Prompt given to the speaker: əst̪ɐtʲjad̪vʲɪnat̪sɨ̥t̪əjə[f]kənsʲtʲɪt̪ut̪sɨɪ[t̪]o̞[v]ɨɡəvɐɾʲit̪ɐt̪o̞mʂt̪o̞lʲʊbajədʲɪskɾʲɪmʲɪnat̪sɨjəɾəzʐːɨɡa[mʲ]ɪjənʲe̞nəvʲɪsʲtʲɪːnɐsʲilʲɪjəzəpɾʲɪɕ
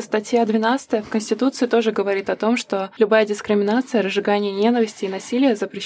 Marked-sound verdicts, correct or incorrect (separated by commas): correct, correct, incorrect, incorrect